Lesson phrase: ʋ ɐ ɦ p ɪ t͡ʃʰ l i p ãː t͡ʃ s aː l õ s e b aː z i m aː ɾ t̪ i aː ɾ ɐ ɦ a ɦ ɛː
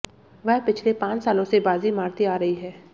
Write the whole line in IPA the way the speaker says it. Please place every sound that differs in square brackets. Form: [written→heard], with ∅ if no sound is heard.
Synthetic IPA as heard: ʋ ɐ ɦ p ɪ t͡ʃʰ l [i→e] p ãː t͡ʃ s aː l õ s e b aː z i m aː ɾ t̪ i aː ɾ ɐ ɦ [a→i] ɦ ɛː